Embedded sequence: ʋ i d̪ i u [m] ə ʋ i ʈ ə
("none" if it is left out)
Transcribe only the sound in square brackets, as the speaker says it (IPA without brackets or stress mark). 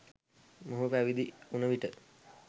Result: n